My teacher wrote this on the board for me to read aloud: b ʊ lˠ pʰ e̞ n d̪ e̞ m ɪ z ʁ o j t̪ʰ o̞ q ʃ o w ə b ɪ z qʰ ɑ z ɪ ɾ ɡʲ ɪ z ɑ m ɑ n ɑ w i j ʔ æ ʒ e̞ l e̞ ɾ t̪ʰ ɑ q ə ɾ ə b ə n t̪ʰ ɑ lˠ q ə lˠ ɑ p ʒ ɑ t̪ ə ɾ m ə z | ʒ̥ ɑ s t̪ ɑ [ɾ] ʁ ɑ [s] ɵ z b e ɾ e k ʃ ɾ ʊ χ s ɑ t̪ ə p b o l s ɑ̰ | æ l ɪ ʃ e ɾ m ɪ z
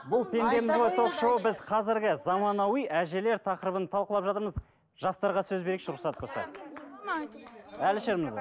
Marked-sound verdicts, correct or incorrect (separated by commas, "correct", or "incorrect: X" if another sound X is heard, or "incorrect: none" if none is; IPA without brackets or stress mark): correct, correct